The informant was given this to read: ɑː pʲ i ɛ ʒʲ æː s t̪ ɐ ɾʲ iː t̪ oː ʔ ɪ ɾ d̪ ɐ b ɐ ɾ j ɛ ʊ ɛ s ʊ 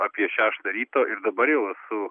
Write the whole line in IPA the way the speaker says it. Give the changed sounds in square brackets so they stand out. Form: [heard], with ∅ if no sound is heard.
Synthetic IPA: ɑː pʲ i ɛ [ʃʲ] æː [ʃ] t̪ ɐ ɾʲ iː t̪ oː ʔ ɪ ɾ d̪ ɐ b ɐ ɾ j ɛ ʊ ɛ s ʊ